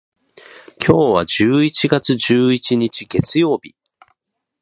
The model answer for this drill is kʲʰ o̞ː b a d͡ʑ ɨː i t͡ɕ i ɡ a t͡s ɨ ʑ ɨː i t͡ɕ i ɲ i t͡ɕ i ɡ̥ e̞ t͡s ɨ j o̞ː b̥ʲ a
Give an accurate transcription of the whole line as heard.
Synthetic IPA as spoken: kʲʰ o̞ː β a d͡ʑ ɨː i t͡ɕ i ɡ a t͡s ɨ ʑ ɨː i t͡ɕ i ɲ i t͡ɕ i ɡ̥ e̞ t͡s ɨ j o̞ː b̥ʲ i